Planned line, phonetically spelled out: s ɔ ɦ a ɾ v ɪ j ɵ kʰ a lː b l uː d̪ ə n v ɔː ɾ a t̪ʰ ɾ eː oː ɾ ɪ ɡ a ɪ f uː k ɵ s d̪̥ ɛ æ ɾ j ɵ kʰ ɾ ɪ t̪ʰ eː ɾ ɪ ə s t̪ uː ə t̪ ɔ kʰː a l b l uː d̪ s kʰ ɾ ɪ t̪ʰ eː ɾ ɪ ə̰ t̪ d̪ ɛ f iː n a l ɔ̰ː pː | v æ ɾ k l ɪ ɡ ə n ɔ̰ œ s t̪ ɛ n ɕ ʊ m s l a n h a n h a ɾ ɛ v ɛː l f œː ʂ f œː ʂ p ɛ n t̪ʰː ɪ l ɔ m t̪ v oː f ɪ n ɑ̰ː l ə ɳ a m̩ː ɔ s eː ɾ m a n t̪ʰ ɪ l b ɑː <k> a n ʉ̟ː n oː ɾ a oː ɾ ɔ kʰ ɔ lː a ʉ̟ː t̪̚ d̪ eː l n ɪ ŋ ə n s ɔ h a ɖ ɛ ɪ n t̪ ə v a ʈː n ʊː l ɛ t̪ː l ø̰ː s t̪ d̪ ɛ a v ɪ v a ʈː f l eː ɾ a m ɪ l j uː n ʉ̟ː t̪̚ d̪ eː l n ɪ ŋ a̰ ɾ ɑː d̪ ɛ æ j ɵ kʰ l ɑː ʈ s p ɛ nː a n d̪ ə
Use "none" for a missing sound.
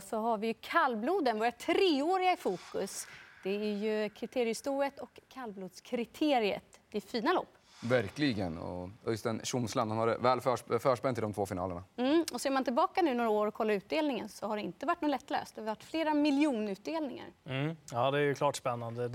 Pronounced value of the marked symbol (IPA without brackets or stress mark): k